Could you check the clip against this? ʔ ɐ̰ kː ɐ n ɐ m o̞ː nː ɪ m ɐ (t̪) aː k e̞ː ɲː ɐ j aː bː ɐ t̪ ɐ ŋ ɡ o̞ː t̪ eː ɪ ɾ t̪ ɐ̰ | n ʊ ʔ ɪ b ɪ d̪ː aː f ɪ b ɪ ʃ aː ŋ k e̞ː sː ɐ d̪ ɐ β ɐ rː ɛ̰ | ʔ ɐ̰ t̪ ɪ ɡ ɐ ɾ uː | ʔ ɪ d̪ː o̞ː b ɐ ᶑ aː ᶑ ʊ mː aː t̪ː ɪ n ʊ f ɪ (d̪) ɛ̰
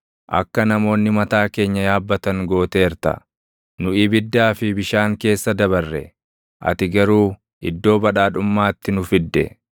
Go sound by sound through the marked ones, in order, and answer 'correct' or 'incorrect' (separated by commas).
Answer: correct, incorrect